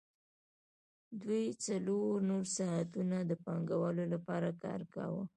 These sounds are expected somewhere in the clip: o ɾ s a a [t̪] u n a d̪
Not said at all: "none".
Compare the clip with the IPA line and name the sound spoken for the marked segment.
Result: t̪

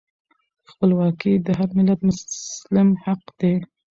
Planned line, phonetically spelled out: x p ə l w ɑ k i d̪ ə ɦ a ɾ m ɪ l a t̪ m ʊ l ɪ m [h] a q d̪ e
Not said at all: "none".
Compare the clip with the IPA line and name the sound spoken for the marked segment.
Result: h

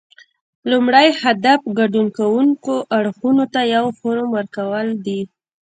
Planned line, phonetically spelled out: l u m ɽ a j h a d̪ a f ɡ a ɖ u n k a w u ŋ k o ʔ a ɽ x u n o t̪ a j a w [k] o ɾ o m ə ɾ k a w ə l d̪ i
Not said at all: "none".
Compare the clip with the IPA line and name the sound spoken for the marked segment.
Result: x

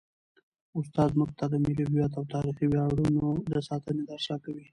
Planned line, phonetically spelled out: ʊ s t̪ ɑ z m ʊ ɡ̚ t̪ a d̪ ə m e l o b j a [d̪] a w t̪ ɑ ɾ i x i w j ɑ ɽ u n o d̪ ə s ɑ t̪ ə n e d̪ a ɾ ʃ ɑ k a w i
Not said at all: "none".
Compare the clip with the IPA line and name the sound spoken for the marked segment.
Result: t̪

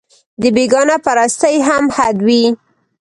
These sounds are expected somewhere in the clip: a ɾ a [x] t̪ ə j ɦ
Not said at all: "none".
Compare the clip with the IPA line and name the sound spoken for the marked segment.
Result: s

